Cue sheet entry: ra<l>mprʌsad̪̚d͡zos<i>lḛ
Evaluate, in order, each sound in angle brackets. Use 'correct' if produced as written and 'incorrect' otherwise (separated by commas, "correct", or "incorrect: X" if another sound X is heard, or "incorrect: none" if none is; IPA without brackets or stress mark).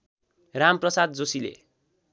incorrect: none, correct